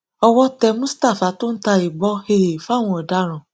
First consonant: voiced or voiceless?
voiced